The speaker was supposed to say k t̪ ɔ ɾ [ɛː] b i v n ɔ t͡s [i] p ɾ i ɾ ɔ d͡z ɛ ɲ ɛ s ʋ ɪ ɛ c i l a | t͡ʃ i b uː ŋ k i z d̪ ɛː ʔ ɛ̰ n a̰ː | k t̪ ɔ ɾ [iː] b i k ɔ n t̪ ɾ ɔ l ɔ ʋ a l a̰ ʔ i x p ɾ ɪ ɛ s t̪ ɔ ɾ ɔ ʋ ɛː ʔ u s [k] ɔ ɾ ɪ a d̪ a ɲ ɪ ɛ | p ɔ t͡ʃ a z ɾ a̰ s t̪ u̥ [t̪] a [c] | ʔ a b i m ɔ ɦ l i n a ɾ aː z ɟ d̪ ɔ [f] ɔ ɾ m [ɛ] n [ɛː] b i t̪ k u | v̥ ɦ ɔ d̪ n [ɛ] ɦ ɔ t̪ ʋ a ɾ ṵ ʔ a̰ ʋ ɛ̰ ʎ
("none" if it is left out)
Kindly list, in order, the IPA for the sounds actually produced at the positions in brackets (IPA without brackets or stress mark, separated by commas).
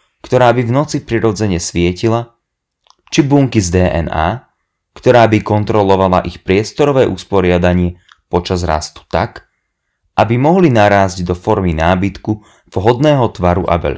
aː, i, aː, p, t̪, k, f, i, aː, ɛː